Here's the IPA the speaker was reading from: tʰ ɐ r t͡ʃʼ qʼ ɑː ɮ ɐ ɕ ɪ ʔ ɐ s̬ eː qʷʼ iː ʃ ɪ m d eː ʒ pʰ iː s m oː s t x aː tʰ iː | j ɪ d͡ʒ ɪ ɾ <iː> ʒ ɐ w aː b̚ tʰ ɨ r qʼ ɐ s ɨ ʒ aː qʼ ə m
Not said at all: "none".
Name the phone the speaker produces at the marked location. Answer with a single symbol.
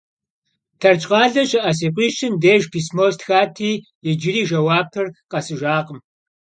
iː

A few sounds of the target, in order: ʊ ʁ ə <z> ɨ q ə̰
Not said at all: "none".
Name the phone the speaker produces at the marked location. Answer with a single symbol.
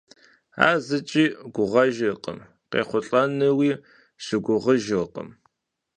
ʒ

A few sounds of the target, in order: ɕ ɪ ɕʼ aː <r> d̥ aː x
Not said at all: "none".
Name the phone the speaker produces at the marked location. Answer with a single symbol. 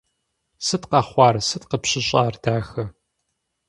r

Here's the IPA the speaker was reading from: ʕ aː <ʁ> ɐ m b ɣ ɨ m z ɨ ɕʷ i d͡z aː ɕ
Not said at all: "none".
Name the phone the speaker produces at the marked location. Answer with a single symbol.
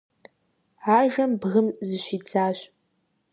ʒ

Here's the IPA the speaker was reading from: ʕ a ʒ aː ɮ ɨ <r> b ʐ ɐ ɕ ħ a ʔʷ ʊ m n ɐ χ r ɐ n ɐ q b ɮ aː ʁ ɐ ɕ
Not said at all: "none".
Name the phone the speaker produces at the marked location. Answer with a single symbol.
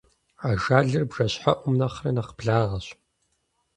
r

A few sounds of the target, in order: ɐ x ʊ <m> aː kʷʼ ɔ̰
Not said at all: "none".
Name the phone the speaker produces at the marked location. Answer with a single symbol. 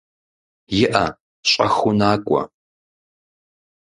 n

